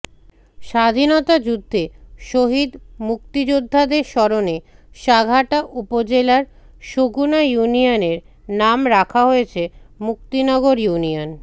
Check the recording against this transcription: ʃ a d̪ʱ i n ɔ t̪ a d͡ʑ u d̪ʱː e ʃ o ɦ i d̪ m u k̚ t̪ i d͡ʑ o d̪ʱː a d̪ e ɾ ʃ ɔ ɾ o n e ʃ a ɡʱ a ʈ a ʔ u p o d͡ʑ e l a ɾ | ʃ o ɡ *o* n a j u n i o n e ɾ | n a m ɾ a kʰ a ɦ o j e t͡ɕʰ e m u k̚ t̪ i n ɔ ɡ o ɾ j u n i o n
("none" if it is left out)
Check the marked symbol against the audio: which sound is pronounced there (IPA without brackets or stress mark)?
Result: u